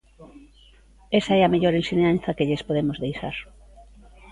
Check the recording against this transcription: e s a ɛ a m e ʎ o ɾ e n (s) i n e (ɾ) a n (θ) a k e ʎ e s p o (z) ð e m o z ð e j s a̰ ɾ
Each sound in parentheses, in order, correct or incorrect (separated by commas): correct, incorrect, correct, incorrect